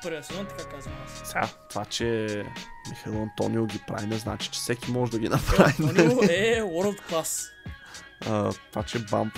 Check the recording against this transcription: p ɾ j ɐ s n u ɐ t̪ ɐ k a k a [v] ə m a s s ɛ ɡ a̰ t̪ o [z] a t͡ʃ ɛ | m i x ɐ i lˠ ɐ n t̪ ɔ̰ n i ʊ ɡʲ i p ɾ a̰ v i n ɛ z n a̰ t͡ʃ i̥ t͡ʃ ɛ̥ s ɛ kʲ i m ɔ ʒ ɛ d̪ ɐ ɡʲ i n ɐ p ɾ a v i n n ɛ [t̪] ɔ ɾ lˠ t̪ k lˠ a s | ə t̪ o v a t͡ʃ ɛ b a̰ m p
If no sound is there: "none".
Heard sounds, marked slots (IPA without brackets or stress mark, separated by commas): z, v, none